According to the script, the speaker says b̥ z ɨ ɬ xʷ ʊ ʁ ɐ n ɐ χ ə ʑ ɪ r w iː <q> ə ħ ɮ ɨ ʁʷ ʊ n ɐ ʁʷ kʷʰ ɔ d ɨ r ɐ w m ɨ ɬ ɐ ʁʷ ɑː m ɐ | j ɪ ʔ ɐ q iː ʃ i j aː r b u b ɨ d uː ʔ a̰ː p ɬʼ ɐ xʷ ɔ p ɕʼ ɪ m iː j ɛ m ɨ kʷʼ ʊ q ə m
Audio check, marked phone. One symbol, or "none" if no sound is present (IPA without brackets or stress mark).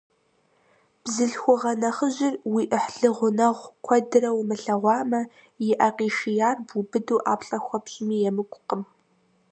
ʔ